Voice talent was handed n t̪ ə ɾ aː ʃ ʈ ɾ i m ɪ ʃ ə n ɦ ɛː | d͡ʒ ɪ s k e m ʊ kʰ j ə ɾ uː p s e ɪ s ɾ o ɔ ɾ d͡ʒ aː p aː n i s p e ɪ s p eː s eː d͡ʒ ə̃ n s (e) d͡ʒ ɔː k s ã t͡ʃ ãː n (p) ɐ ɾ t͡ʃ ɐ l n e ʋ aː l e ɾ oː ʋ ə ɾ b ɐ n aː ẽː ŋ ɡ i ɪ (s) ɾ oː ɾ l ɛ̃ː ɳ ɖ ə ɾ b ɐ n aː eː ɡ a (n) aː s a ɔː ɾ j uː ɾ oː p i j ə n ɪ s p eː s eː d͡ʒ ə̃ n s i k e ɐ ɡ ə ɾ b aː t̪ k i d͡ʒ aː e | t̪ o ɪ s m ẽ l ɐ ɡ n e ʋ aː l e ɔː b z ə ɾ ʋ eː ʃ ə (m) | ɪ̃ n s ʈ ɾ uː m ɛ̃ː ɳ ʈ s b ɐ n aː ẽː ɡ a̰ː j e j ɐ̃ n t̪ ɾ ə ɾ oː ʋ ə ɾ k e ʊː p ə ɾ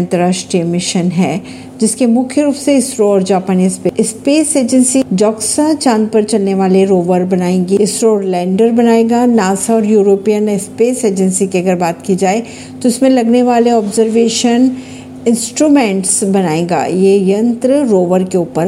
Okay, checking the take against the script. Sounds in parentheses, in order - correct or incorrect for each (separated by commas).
incorrect, correct, correct, correct, incorrect